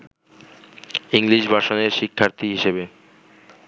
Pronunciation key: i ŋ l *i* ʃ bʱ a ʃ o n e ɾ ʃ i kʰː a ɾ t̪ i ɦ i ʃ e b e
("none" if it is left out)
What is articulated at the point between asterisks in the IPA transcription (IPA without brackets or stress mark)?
i